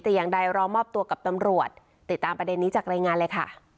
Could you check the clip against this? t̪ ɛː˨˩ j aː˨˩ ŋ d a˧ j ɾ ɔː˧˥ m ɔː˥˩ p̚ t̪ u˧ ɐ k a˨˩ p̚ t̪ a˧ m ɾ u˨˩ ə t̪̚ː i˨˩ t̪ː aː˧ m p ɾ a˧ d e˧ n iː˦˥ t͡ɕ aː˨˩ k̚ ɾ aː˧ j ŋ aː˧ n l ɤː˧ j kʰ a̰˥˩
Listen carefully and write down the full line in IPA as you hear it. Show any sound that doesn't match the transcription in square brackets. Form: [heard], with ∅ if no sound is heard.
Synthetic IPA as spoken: t̪ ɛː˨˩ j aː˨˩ ŋ d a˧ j ɾ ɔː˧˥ m ɔː˥˩ p̚ t̪ u˧ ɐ k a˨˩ p̚ t̪ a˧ m ɾ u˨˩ ə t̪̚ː i˨˩ t̪ː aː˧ m p ɾ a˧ d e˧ [nː] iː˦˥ t͡ɕ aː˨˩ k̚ ɾ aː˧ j ŋ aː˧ n l ɤː˧ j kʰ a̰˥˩